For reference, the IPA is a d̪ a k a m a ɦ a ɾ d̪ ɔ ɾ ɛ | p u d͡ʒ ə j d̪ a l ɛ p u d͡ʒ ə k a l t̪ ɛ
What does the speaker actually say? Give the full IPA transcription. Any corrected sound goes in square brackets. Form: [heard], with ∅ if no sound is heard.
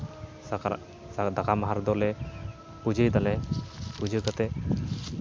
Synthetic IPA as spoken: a d̪ a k a m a ɦ a ɾ d̪ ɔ [l] ɛ | p u d͡ʒ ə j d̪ a l ɛ p u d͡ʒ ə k a [∅] t̪ ɛ